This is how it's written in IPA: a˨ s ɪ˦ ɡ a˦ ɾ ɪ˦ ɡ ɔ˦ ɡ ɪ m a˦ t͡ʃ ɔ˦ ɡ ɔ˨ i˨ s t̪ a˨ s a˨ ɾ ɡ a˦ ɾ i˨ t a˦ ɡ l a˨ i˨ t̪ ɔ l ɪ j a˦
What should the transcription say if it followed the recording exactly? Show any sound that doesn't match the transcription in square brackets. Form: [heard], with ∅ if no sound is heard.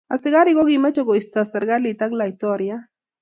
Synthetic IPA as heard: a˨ s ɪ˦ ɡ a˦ ɾ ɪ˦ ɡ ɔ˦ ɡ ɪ m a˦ t͡ʃ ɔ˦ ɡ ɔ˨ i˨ s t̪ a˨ s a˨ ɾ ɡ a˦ [l] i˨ t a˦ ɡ l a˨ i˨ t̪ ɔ [ɾ] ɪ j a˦

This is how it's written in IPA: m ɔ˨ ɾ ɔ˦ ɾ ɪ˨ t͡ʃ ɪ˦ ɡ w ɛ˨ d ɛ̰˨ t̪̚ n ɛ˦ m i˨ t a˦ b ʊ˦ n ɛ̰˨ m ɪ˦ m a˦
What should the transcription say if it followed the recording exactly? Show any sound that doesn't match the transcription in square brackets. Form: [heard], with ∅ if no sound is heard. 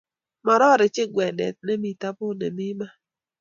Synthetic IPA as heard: m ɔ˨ ɾ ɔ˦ ɾ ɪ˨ t͡ʃ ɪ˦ ɡ w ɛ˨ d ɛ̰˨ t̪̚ n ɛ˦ m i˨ t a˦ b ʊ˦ n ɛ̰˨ m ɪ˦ m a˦

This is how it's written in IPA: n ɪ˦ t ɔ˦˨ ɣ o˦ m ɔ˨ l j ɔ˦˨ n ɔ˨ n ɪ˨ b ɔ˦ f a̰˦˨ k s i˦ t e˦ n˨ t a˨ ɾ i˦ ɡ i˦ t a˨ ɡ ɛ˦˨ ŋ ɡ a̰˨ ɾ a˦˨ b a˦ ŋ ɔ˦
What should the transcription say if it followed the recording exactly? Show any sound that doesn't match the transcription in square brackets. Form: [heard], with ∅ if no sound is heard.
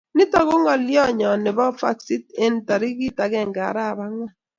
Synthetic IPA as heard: n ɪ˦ t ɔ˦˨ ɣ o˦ [ŋ] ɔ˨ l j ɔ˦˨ [ɲ] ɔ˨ n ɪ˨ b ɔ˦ f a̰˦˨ k s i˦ t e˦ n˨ t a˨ ɾ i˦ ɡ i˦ t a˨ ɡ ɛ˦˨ ŋ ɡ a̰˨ ɾ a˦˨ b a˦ ŋ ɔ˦

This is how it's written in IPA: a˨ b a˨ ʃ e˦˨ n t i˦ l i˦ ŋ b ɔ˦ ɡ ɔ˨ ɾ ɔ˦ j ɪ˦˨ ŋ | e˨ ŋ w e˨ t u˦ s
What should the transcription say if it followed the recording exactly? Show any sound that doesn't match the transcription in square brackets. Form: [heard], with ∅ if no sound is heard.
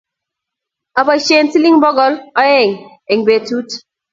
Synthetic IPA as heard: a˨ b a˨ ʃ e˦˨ n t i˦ l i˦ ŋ b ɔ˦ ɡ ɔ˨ [l] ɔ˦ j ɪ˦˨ ŋ | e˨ ŋ [b] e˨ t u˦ [t]

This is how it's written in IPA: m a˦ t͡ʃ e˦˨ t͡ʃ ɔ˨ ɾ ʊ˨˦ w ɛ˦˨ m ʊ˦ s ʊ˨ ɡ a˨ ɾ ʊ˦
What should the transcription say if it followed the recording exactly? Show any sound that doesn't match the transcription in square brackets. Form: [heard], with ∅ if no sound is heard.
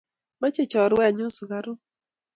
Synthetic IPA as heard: m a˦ t͡ʃ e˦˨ t͡ʃ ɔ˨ ɾ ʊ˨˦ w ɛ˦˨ [ɲ] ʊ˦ s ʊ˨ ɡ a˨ ɾ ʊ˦

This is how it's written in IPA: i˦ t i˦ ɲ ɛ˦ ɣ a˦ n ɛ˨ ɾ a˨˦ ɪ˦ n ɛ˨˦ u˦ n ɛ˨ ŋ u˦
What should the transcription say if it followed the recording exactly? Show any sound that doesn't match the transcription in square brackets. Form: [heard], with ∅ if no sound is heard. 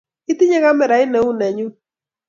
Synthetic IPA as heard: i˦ t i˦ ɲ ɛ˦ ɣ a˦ [m] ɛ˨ ɾ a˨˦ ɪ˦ n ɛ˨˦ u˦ n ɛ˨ [ɲ] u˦

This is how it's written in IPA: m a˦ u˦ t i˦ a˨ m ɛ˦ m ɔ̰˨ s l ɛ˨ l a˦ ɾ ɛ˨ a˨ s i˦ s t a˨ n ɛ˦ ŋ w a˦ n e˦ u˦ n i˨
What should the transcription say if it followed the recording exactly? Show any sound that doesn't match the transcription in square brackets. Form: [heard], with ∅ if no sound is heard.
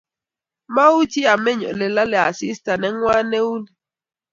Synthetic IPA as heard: m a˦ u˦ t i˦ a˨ m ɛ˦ [ɲ] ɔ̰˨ [∅] l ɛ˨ l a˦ [l] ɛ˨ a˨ s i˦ s t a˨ n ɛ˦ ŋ w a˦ n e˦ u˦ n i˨

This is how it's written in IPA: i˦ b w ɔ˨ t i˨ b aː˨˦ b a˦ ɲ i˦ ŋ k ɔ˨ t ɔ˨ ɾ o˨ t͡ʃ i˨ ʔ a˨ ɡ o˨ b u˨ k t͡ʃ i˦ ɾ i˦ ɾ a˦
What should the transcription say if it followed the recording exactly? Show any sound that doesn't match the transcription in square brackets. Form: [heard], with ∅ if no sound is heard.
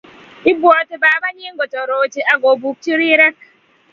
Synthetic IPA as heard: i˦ b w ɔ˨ t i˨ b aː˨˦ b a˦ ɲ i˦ ŋ [ɡ] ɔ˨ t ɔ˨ ɾ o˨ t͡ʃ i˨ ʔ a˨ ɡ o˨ b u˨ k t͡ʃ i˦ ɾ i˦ ɾ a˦

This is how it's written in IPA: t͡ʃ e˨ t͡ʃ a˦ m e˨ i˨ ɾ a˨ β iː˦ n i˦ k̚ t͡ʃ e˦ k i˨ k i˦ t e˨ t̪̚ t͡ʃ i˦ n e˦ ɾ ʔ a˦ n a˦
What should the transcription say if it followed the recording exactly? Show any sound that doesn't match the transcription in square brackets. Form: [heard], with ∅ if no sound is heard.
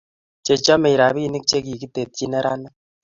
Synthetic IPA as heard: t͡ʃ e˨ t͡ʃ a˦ m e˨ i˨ ɾ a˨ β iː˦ n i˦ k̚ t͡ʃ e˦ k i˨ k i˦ t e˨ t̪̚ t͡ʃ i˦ n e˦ ɾ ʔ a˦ n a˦

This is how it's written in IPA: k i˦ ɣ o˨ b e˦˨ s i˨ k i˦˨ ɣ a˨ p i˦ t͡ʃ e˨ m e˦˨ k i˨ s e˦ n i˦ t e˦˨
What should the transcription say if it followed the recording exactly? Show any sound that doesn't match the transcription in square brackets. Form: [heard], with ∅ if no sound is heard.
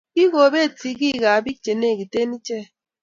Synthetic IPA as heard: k i˦ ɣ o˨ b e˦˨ [t] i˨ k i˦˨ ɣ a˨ [b] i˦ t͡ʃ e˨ [n] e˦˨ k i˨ [t] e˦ n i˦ [t͡ʃ] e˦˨

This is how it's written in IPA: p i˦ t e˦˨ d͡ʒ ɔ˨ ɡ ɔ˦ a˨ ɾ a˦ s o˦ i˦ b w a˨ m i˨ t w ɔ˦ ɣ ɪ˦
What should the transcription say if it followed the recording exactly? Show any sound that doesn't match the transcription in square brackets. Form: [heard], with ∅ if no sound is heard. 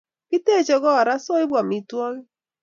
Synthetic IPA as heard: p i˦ t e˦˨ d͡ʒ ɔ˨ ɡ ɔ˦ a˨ ɾ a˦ s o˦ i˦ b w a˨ m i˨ t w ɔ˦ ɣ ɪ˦

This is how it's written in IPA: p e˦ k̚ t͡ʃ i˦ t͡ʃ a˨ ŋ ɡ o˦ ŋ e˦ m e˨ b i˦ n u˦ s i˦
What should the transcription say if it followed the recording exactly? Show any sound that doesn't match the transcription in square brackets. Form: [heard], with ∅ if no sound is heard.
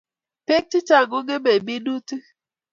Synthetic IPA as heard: p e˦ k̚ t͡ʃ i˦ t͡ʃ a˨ ŋ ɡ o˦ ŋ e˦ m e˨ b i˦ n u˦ [t] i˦

